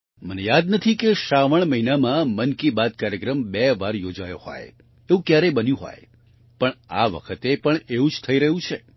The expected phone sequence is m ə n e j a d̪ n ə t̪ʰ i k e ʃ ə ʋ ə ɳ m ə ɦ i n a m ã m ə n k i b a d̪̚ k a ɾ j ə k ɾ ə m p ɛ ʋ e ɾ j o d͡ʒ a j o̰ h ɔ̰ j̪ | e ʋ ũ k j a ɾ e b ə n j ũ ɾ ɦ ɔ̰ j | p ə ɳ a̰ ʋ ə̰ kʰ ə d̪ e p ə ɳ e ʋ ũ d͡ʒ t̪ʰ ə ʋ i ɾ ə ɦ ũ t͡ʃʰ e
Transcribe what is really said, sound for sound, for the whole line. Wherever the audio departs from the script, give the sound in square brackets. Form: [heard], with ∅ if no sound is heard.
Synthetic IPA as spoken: m ə n e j a d̪ n ə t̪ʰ i k e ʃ [a] ʋ ə ɳ m ə ɦ i n a m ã m ə n k i b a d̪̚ k a ɾ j ə k ɾ ə m [b] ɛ ʋ [a] ɾ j o d͡ʒ a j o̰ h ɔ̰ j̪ | e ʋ ũ k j a ɾ e b ə n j ũ [∅] ɦ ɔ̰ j | p ə ɳ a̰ ʋ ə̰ kʰ ə [t̪] e p ə ɳ e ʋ ũ d͡ʒ t̪ʰ ə [∅] i ɾ ə ɦ ũ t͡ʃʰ e